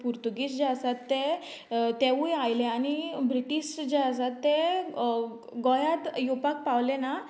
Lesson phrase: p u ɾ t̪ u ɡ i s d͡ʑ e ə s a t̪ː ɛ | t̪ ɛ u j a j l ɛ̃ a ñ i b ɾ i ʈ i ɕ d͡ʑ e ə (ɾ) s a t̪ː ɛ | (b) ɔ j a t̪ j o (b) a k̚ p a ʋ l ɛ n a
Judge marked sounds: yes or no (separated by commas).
no, no, no